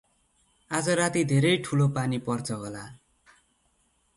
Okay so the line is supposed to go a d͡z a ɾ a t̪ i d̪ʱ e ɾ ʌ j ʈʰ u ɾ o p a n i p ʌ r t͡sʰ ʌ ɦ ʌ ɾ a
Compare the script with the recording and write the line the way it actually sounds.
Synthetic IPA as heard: a d͡z ʌ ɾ a t̪ i d̪ʱ e ɾ ʌ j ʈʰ u l o p a n i p ʌ r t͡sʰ ʌ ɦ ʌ l a

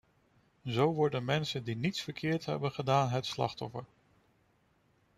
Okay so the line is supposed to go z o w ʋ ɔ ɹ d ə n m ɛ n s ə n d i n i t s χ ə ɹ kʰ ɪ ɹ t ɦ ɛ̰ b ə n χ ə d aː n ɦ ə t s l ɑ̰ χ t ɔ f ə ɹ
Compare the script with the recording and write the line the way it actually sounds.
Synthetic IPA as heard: z o w ʋ ɔ ɹ d ə n m ɛ n s ə n d i n i t s f ə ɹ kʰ ɪː ɹ t ɦ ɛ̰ b ə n χ ə d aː n ɦ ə t s l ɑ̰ χ t ɔ f ə ɹ

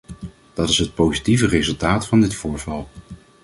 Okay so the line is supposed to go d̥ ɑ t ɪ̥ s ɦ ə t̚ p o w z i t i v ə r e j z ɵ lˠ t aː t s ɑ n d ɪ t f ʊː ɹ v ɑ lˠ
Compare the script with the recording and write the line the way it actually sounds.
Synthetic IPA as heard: d̥ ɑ t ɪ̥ s ɦ ə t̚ p o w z i t i v ə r e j z ɵ lˠ t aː t f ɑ n d ɪ t f ʊː ɹ v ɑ lˠ

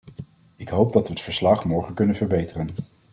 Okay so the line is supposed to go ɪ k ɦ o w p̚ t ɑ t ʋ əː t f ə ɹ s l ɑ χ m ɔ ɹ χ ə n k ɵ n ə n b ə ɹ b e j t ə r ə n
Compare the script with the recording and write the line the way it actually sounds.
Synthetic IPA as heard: ɪ k ɦ o w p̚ d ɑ t ʋ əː t f ə ɹ s l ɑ χ m ɔ ɹ χ ə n k ɵ n ə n v ə ɹ b e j t ə r ə n

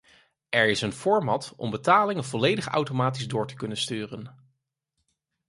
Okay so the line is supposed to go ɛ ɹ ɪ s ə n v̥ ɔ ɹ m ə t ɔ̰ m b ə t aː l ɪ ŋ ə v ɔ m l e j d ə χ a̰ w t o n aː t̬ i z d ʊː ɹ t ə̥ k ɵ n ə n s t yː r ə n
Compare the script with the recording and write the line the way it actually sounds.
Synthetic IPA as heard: ɛ ɹ ɪ s ə n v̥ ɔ ɹ m ɑ t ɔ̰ m b ə t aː l ɪ ŋ ə v ɔ l e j d ə χ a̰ w t o m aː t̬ i z d ʊː ɹ t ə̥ k ɵ n ə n s t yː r ə n

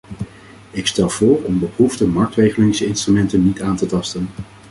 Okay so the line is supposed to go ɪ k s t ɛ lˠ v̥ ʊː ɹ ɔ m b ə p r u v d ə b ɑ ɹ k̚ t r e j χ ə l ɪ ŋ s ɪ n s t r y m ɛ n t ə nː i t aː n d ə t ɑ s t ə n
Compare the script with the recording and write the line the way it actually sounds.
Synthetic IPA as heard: ɪ k s t ɛ lˠ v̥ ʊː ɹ ɔ m b ə p r u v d ə m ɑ ɹ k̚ t r e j χ ə l ɪ ŋ s ɪ n s t r y m ɛ n t ə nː i t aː n t ə t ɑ s t ə n

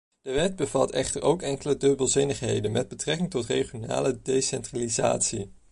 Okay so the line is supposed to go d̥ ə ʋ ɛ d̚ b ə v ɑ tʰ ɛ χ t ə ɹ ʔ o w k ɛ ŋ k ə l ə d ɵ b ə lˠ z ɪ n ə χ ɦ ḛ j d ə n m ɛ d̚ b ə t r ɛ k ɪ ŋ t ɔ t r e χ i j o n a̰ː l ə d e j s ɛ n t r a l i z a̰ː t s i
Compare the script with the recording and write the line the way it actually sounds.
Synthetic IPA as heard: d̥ ə ʋ ɛ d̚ b ə v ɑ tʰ ɛ χ t ə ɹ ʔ o w k ɛ ŋ k ə l ə d ɵ b ə lˠ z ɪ n ə χ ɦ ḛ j d ə n m ɛ d̚ b ə t r ɛ k ɪ ŋ t ɔ t r e χ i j o n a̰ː l ə d e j s ɛ n t r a l i z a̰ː t s i

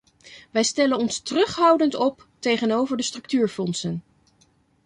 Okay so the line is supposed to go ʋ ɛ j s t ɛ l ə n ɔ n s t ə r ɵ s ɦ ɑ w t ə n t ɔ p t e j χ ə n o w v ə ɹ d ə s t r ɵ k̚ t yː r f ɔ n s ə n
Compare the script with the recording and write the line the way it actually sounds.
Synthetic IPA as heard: ʋ ɛ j s t ɛ l ə n ɔ n s t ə r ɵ χ ɦ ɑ w d ə n t ɔ p t e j χ ə n o w v ə ɹ d ə s t r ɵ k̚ t yː ɹ f ɔ n s ə n

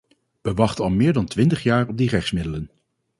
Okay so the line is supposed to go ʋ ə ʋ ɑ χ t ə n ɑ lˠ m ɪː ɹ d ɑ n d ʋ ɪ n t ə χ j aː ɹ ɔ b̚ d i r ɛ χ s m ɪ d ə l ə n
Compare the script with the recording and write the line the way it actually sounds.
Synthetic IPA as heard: ʋ ə ʋ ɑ χ t ə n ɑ lˠ m ɪː ɹ d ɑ n t ʋ ɪ n t ə χ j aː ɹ ɔ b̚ d i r ɛ χ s m ɪ d ə l ə n

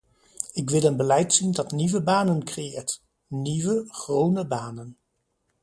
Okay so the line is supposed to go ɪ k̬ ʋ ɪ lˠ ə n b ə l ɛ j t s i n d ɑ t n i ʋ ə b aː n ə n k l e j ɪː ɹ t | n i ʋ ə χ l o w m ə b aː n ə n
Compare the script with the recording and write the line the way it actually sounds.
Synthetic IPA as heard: ɪ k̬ ʋ ɪ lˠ ə n b ə l ɛ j t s i n d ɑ t n i ʋ ə b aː n ə n k r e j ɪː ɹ t | n i ʋ ə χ r o w n ə b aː n ə n

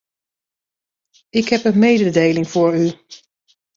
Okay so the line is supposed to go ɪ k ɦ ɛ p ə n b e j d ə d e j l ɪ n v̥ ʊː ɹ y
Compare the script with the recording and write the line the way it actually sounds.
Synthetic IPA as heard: ɪ k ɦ ɛ p ə n m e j d ə d e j l ɪ ŋ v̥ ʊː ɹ y

